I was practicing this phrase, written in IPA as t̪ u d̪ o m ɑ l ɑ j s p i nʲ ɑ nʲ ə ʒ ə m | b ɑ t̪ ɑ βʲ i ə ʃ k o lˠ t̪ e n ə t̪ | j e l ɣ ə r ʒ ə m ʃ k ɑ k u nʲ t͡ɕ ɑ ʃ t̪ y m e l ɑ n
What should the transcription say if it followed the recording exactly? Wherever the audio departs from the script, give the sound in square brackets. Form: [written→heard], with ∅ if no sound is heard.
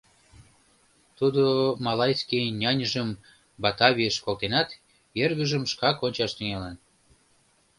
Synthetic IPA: t̪ u d̪ o m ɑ l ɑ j s [p→k] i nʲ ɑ nʲ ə ʒ ə m | b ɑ t̪ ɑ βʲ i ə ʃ k o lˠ t̪ e n [ə→ɑ] t̪ | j e [l→r] ɣ ə [r→∅] ʒ ə m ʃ k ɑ k [u→o] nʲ t͡ɕ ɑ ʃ t̪ y [m→ŋ] e l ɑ n